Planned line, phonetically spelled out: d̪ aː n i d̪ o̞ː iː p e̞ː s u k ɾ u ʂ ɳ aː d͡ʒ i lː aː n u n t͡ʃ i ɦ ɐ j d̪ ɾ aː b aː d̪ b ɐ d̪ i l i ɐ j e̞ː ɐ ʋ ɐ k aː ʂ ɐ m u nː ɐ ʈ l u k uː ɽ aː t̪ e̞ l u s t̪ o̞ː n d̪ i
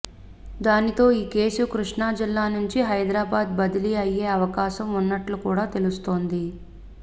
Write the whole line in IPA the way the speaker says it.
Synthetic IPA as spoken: d̪ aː n i t̪ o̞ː iː k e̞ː s u k ɾ u ʂ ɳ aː d͡ʒ i lː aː n u ɲ t͡ʃ i ɦ ɐ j d̪ ɾ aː b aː d̪ b ɐ d̪ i l i ɐ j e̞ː ɐ ʋ ɐ k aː ʃ ɐ m u nː ɐ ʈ l u k uː ɽ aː t̪ e̞ l u s t̪ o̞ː n d̪ i

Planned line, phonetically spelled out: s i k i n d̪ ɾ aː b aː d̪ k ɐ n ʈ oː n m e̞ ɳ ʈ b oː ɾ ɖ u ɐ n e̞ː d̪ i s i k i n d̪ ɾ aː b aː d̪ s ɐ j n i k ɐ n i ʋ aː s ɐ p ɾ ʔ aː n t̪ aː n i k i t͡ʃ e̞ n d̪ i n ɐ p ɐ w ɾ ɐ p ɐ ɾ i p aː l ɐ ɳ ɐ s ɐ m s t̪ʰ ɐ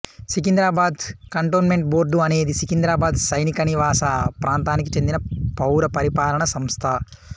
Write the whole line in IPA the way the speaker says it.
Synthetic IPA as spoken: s i k i n d̪ ɾ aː b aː d̪ k ɐ ɳ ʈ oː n m e̞ ɳ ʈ b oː ɾ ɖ u ɐ n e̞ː d̪ i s i k i n d̪ ɾ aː b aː d̪ s ɐ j n i k ɐ n i ʋ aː s ɐ p ɾ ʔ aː n t̪ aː n i k i t͡ʃ e̞ n d̪ i n ɐ p ɐ w ɾ ɐ p ɐ ɾ i p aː l ɐ ɳ ɐ s ɐ m s t̪ʰ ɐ

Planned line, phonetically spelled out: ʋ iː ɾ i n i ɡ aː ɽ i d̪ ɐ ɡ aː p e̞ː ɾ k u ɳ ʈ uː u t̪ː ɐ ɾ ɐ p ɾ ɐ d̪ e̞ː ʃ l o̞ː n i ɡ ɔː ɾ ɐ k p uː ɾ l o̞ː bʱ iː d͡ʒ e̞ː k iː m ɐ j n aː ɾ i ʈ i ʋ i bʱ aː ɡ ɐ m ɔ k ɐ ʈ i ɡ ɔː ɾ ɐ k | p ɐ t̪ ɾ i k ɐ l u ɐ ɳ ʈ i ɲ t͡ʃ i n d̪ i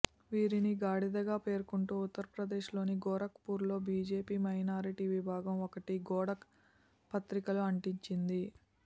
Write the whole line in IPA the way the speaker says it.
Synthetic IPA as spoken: ʋ iː ɾ i n i ɡ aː ɽ i d̪ ɐ ɡ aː p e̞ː ɾ k u ɳ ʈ uː u t̪ː ɐ ɾ ɐ p ɾ ɐ d̪ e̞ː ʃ l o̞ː n i ɡ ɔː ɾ ɐ k p uː ɾ l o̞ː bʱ iː d͡ʒ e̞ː p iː m ɐ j n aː ɾ i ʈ i ʋ i bʱ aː ɡ ɐ m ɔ k ɐ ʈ i ɡ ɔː ɽ ɐ k | p ɐ t̪ ɾ i k ɐ l u ɐ ɳ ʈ i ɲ t͡ʃ i n d̪ i

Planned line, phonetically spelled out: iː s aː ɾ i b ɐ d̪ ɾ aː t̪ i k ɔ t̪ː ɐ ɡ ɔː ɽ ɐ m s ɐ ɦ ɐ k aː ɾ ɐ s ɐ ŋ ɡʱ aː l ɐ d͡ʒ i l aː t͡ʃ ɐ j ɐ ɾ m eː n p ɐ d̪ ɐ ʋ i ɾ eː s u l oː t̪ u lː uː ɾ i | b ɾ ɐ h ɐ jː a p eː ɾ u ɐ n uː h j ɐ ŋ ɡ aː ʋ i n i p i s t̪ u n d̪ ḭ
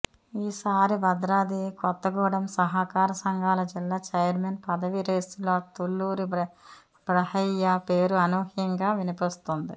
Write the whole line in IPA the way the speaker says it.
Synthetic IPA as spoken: iː s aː ɾ i b ɐ d̪ ɾ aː d̪ i k ɔ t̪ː ɐ ɡ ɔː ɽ ɐ m s ɐ ɦ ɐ k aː ɾ ɐ s ɐ ŋ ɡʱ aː l ɐ d͡ʒ i lː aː t͡ʃ ɐ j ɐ ɾ m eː n p ɐ d̪ ɐ ʋ i ɾ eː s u l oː t̪ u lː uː ɾ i | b ɾ ɐ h ɐ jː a p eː ɾ u ɐ n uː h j ɐ ŋ ɡ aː ʋ i n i p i s t̪ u n d̪ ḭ

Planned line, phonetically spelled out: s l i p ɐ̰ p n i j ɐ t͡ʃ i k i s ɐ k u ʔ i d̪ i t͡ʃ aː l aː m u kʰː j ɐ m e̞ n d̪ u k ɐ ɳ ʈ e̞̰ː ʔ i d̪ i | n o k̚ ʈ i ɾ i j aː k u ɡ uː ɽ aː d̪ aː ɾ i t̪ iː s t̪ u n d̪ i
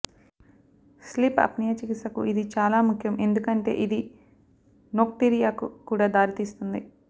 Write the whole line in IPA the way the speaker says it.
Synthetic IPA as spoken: s l i p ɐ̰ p n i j ɐ t͡ʃ i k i s ɐ k u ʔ i d̪ i t͡ʃ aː l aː m u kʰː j ɐ m e̞ n d̪ u k ɐ ɳ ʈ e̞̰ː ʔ i d̪ i | n o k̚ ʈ i ɾ i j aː k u k uː ɽ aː d̪ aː ɾ i t̪ iː s t̪ u n d̪ i

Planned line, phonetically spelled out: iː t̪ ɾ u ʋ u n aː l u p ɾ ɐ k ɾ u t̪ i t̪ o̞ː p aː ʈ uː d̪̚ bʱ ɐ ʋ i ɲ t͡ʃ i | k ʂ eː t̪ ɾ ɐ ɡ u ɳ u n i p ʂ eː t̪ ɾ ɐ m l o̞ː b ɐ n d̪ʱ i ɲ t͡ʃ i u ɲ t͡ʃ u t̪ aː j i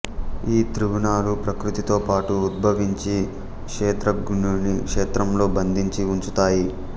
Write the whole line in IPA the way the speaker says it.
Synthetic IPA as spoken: iː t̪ ɾ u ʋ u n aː l u p ɾ ɐ k ɾ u t̪ i t̪ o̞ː p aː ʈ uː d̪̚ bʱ ɐ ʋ i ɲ t͡ʃ i | k ʂ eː t̪ ɾ ɐ ɡ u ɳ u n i k ʂ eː t̪ ɾ ɐ m l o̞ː b ɐ n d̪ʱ i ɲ t͡ʃ i u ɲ t͡ʃ u t̪ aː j i

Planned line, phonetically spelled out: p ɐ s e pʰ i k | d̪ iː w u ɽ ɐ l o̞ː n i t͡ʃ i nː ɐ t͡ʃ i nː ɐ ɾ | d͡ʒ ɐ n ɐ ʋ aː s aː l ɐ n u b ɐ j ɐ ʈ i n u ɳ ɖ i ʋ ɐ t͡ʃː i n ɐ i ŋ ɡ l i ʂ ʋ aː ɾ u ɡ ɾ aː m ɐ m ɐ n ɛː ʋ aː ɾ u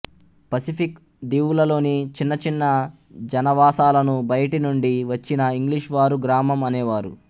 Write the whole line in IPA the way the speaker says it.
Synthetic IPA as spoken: p ɐ s i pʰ i k | d̪ iː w u l ɐ l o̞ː n i t͡ʃ i nː ɐ t͡ʃ i nː ɐ | d͡ʒ ɐ n ɐ ʋ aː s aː l ɐ n u b ɐ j ɐ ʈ i n u ɳ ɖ i ʋ ɐ t͡ʃː i n ɐ i ŋ ɡ l i ʂ ʋ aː ɾ u ɡ ɾ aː m ɐ m ɐ n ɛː ʋ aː ɾ u

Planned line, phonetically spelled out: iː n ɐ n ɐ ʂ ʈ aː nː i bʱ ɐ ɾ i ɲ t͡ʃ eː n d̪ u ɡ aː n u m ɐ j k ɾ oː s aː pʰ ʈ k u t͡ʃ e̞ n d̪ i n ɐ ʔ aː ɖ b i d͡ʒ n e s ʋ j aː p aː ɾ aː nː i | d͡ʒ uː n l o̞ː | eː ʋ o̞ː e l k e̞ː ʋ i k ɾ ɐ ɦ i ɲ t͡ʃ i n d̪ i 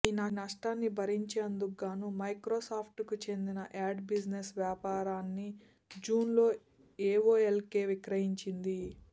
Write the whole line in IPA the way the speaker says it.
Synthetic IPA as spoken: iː n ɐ n ɐ ʂ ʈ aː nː i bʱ ɐ ɾ i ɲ t͡ʃ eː n d̪ u ɡ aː n u m ɐ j k ɾ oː s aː pʰ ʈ k u t͡ʃ e̞ n d̪ i n ɐ ʔ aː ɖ b i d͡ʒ n e s ʋ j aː p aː ɾ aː nː i | d͡ʒ uː n l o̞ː | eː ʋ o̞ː e l k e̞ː ʋ i k ɾ ɐ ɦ i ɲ t͡ʃ i n d̪ i

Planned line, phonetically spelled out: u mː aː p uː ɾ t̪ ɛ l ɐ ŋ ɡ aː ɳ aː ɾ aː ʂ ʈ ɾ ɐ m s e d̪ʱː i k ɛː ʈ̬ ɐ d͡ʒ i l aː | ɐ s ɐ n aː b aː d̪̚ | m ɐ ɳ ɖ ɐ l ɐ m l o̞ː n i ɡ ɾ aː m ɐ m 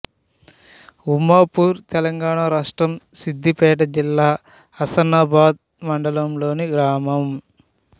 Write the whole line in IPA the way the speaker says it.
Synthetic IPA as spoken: u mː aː p uː ɾ t̪ ɛ l ɐ ŋ ɡ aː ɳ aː ɾ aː ʂ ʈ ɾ ɐ m s i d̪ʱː i p ɛː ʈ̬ ɐ d͡ʒ i lː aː | ɐ s ɐ n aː b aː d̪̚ | m ɐ ɳ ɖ ɐ l ɐ m l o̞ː n i ɡ ɾ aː m ɐ m

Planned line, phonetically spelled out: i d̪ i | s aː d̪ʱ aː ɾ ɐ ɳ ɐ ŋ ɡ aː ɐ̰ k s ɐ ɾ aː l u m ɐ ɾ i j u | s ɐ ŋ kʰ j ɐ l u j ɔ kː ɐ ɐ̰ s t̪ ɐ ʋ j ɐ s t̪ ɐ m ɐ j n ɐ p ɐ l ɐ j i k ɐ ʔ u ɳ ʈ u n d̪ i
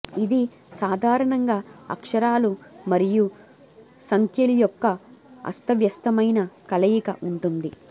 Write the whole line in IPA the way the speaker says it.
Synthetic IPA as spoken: i d̪ i | s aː d̪ʱ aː ɾ ɐ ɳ ɐ ŋ ɡ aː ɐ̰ k ʂ ɐ ɾ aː l u m ɐ ɾ i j u | s ɐ ŋ kʰ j ɐ l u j ɔ kː ɐ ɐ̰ s t̪ ɐ ʋ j ɐ s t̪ ɐ m ɐ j n ɐ k ɐ l ɐ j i k ɐ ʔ u ɳ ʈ u n d̪ i

